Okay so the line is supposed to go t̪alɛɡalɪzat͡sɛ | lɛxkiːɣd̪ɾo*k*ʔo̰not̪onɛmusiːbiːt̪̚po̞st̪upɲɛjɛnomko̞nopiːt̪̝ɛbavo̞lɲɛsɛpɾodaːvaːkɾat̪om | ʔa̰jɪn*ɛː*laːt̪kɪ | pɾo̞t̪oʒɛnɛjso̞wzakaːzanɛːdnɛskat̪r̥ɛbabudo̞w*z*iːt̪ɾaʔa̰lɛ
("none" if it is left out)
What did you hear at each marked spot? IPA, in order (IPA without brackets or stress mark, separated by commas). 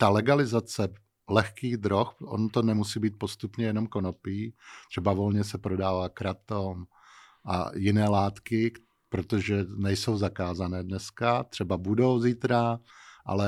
x, ɛː, z